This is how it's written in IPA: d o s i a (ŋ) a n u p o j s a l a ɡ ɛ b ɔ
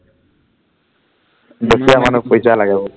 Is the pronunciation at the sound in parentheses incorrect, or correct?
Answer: incorrect: m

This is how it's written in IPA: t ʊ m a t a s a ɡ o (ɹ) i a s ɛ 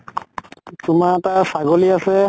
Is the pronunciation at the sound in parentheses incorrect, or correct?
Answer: incorrect: l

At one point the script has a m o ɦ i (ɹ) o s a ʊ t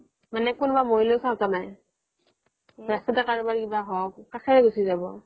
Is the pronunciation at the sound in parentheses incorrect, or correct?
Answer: incorrect: l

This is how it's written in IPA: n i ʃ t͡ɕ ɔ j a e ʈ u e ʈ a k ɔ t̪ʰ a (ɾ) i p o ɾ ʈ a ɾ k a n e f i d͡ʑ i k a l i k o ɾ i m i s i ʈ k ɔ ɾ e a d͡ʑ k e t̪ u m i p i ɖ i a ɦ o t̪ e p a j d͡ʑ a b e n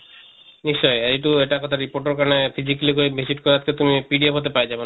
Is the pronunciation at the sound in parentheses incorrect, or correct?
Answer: correct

